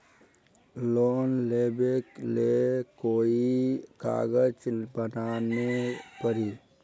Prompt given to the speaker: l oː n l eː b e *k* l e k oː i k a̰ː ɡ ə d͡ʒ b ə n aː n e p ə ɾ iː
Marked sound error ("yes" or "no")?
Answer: no